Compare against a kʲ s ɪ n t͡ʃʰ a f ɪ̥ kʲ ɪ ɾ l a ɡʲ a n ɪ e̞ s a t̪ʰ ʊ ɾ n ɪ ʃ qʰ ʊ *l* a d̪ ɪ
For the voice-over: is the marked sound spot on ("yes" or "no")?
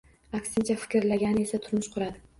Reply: no